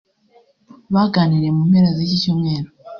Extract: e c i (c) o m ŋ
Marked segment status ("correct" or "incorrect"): correct